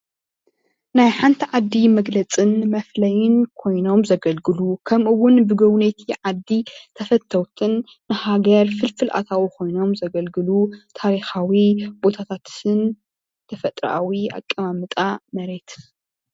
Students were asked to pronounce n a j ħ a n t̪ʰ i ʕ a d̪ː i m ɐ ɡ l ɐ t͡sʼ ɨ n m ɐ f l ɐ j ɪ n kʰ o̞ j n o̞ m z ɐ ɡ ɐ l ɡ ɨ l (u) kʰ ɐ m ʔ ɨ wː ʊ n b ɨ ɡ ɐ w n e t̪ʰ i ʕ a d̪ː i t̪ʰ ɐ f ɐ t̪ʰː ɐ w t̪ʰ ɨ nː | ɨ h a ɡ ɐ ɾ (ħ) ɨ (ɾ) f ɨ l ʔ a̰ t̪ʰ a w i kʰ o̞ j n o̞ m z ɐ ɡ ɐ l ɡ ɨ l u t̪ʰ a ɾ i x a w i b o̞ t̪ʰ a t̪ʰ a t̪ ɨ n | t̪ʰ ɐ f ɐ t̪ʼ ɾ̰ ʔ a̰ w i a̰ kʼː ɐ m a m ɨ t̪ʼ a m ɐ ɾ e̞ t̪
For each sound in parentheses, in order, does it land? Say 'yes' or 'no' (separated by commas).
yes, no, no